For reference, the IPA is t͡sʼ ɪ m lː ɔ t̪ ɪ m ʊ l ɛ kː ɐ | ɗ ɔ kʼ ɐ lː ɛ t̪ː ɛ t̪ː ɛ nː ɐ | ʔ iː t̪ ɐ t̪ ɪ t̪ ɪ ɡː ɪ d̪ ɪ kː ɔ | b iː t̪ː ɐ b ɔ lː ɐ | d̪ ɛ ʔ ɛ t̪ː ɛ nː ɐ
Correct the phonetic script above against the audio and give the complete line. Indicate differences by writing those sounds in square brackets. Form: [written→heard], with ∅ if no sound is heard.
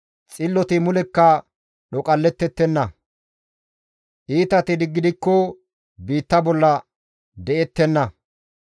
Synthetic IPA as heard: t͡sʼ ɪ [m→∅] lː ɔ t̪ ɪ m ʊ l ɛ kː ɐ | ɗ ɔ kʼ ɐ lː ɛ t̪ː ɛ t̪ː ɛ nː ɐ | ʔ iː t̪ ɐ t̪ ɪ [t̪→d̪] ɪ ɡː ɪ d̪ ɪ kː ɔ | b iː t̪ː ɐ b ɔ lː ɐ | d̪ ɛ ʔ ɛ t̪ː ɛ nː ɐ